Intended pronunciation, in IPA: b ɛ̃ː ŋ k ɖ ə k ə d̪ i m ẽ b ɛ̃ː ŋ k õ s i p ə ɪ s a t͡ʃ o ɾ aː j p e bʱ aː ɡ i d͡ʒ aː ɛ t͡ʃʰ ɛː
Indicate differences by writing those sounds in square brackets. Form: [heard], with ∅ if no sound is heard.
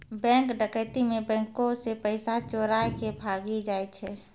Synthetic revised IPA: b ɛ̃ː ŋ k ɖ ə k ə [t̪] i m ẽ b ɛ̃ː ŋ k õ s [e] p ə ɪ s a t͡ʃ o ɾ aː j [k] e bʱ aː ɡ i d͡ʒ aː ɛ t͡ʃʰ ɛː